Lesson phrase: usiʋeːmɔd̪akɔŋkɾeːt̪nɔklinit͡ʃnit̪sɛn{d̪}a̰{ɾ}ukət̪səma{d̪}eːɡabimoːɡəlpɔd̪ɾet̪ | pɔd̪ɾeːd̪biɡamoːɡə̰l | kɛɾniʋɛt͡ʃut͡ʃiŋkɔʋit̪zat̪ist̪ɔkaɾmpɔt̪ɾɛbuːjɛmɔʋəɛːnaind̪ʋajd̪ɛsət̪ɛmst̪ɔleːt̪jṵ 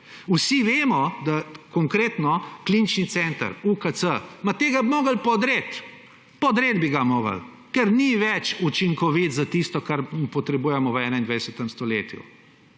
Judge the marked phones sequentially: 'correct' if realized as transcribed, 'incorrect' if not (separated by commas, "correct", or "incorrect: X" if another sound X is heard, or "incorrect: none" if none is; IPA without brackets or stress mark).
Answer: incorrect: t̪, correct, incorrect: t̪